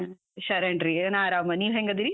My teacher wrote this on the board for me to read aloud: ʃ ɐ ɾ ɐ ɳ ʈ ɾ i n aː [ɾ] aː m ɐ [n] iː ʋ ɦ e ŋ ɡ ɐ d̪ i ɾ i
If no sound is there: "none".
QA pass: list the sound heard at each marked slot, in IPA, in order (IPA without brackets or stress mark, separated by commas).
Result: ɾ, n